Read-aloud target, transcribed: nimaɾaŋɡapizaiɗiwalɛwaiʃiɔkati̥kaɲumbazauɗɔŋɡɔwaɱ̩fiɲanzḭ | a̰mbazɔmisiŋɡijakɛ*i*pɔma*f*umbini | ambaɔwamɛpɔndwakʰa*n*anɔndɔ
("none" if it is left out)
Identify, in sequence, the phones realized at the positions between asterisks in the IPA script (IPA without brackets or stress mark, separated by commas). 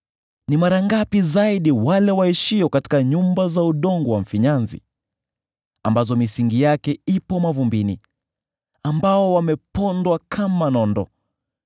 i, v, m